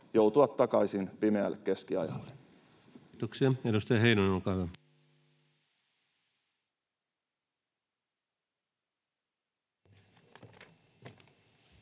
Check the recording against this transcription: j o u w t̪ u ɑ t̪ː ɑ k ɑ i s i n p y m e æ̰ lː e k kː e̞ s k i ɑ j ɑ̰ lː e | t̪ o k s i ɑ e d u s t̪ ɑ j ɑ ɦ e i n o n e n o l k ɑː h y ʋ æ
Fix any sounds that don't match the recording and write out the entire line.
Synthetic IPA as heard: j o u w t̪ u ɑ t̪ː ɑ k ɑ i s i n p i m e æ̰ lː e k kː e̞ s k i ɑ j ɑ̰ lː e | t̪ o k s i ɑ e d u s t̪ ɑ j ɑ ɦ e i n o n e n o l k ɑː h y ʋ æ